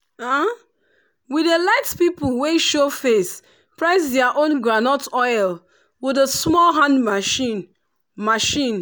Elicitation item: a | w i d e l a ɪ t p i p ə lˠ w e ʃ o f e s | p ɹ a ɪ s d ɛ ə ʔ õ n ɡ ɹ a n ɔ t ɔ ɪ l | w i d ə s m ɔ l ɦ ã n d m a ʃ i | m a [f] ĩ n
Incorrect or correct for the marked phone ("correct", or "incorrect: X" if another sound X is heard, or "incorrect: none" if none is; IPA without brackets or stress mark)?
incorrect: ʃ